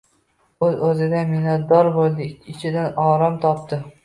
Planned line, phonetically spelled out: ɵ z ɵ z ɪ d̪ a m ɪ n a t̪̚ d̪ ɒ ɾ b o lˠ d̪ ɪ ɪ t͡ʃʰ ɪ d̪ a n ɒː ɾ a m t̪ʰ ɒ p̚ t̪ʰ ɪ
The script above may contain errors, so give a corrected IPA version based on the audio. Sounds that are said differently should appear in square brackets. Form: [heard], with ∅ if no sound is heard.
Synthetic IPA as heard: ɵ z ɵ z ɪ d̪ a m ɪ n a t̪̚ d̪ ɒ ɾ b o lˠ d̪ ɪ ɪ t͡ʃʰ ɪ d̪ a n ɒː ɾ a m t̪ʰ ɒ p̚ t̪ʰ ɪ